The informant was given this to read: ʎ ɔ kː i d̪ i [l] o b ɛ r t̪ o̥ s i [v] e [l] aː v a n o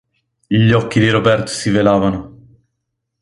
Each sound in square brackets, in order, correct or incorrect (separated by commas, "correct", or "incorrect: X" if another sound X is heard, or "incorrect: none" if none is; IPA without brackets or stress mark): incorrect: ɾ, correct, correct